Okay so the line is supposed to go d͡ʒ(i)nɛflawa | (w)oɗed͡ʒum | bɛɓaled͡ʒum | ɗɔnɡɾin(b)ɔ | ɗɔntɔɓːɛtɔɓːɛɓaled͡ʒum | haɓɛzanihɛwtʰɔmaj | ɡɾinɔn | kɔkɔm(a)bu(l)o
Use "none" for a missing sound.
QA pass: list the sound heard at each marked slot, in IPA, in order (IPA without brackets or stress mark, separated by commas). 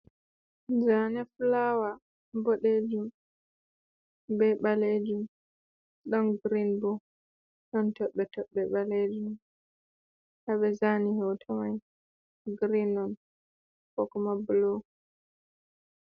a, b, b, a, l